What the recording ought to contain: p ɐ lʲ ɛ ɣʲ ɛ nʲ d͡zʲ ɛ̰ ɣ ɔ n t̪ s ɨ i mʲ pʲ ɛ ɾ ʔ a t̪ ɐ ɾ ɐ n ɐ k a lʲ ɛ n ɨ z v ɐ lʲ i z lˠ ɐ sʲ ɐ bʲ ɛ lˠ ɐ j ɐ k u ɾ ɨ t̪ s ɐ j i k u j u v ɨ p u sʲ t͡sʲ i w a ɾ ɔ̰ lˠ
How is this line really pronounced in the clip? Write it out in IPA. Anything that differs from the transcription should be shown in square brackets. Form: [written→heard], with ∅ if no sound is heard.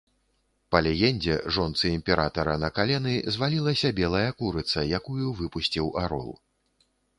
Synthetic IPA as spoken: p ɐ lʲ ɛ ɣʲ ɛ nʲ d͡zʲ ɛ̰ [ɣ→ʐ] ɔ n t̪ s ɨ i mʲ pʲ ɛ ɾ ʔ a t̪ ɐ ɾ ɐ n ɐ k a lʲ ɛ n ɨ z v [ɐ→a] lʲ i [z→∅] lˠ ɐ sʲ ɐ bʲ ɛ lˠ ɐ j ɐ k u ɾ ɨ t̪ s ɐ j [i→a] k u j u v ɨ p u sʲ t͡sʲ i w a ɾ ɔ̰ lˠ